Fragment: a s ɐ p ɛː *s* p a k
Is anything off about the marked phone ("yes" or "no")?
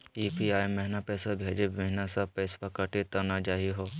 no